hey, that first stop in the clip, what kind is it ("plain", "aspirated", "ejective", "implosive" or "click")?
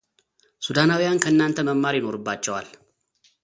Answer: plain